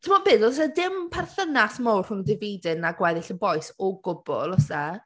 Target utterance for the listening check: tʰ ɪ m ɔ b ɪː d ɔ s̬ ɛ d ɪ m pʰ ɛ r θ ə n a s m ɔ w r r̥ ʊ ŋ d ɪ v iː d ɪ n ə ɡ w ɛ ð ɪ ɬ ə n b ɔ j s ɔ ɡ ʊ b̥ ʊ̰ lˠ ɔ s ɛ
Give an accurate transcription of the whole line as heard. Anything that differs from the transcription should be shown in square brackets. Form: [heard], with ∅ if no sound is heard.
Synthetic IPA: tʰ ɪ m ɔ b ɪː d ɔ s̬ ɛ d ɪ m pʰ ɛ r θ ə n a s m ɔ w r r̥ ʊ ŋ d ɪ v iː d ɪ n [a] ɡ w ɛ ð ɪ ɬ ə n b ɔ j s ɔ ɡ ʊ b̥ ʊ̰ lˠ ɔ s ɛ